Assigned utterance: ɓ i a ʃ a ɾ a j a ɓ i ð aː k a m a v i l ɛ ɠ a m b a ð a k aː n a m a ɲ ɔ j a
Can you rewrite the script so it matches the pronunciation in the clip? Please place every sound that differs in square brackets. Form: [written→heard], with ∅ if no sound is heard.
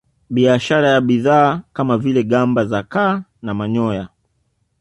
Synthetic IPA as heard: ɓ i a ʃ a ɾ a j a ɓ i ð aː k a m a v i l ɛ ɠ a m b a [ð→z] a k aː n a m a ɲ ɔ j a